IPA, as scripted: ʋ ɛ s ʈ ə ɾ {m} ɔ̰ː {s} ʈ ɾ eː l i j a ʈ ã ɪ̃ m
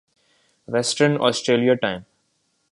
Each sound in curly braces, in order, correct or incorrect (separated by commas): incorrect, correct